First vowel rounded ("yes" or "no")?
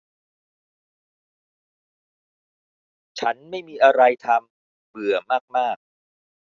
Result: no